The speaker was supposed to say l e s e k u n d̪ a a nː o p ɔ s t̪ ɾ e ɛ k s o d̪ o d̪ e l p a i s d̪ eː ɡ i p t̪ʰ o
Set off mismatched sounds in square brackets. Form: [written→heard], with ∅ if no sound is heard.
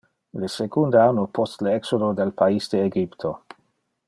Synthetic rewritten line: l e s e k u n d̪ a a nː o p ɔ s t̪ [ɾ→l] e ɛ k s o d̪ o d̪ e l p a i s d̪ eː ɡ i p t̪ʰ o